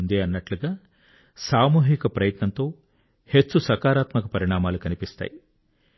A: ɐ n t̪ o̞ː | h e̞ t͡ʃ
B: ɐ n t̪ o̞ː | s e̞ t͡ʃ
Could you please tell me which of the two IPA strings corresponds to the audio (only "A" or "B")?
A